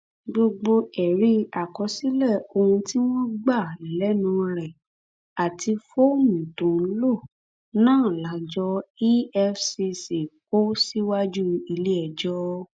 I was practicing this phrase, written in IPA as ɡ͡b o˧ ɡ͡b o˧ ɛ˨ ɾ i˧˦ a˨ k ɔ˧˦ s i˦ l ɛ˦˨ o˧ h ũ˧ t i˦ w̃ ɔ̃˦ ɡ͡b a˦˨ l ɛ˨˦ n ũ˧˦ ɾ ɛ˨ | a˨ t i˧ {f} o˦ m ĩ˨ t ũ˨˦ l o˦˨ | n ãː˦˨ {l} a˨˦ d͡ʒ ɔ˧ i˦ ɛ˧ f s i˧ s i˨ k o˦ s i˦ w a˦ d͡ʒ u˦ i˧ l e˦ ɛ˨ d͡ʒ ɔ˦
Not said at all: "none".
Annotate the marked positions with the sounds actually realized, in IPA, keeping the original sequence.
f, l

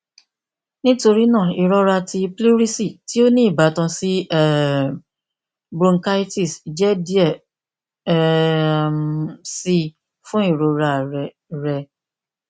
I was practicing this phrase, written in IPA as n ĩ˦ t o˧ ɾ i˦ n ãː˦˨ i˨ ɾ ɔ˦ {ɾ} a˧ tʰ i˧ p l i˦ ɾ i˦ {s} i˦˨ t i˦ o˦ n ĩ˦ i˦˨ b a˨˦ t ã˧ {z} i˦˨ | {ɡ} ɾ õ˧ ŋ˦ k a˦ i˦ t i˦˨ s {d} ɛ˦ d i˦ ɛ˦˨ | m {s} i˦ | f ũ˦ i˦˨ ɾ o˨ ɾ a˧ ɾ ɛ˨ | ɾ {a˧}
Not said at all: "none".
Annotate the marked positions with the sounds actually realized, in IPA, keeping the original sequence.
ɾ, s, s, b, d͡ʒ, s, ɛ˧

